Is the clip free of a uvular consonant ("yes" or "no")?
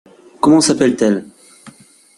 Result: yes